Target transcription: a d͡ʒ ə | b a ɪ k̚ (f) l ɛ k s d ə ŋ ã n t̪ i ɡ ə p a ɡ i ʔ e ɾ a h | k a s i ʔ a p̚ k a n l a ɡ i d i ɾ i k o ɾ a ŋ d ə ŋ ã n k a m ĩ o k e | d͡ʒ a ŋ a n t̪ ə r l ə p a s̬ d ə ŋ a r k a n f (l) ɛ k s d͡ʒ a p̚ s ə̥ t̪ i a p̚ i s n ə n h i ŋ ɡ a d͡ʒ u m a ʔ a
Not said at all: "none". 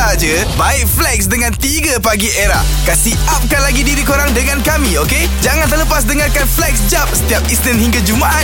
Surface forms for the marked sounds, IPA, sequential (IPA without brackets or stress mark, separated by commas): f, l